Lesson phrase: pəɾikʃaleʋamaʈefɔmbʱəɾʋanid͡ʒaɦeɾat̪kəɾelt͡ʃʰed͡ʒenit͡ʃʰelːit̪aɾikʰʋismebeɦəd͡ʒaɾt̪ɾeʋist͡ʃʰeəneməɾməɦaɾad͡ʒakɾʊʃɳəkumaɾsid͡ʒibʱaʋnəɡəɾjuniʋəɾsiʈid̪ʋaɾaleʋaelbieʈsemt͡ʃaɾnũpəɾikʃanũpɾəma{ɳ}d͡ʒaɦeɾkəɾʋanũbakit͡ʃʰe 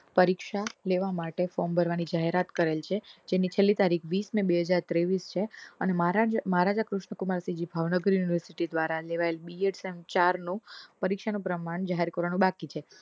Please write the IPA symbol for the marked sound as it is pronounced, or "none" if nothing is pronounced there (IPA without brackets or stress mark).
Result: ɳ